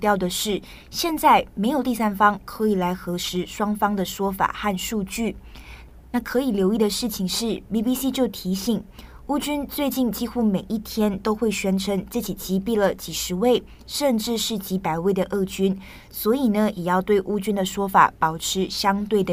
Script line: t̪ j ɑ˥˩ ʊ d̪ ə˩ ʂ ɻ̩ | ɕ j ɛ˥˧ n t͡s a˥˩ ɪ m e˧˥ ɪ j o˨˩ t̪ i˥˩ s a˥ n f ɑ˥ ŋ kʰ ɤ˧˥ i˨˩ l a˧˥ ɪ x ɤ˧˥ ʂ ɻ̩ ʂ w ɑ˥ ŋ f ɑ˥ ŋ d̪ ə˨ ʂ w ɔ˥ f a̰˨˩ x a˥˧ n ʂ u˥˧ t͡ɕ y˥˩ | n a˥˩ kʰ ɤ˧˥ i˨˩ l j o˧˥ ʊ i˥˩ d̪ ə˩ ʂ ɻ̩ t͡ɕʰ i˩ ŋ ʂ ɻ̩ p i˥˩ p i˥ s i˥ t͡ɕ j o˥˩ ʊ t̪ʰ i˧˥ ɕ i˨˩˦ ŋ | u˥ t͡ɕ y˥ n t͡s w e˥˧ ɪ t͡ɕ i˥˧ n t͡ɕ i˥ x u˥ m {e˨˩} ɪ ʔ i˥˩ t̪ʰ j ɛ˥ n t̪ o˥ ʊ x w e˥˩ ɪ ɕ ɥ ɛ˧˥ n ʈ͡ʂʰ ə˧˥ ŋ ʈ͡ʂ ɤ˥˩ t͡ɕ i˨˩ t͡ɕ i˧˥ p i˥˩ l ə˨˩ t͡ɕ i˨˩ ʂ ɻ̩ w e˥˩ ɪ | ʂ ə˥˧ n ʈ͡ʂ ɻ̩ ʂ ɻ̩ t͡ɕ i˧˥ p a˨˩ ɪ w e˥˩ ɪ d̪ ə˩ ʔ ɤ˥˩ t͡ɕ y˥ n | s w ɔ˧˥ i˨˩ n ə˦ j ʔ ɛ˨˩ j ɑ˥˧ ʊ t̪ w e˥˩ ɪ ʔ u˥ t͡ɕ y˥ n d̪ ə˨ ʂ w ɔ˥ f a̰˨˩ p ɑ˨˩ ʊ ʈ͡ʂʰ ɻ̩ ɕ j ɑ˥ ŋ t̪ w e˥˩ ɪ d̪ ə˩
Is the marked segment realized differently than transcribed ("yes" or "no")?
no